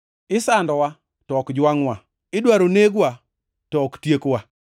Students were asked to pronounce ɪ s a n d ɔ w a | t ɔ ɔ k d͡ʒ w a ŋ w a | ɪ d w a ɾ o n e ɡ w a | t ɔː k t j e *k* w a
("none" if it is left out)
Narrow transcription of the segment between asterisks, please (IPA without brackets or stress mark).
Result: k